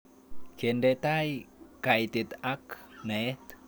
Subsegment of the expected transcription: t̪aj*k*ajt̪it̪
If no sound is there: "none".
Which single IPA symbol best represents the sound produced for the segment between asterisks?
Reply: k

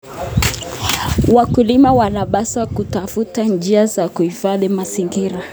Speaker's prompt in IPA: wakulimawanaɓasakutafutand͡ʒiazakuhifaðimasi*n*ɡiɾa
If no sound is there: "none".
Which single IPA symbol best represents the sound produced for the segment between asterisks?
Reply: ŋ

